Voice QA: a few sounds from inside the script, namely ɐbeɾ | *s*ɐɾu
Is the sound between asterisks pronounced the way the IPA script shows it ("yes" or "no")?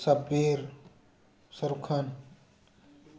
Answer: yes